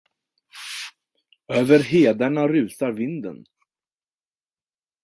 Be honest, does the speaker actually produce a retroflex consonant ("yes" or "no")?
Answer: yes